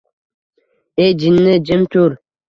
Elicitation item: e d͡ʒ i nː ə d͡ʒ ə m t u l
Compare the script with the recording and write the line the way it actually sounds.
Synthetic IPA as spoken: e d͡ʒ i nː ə d͡ʒ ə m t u ɾ